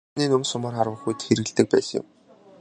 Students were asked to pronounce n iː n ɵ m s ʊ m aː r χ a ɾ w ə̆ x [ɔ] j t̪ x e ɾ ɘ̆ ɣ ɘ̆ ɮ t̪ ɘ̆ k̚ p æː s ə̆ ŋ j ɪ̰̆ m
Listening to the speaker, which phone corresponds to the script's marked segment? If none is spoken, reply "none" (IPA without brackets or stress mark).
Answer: u